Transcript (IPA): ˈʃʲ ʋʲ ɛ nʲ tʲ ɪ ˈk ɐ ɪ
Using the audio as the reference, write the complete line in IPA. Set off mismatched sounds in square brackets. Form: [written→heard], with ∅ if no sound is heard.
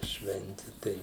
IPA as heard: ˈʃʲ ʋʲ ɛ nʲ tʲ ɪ [ˈk→ˈt] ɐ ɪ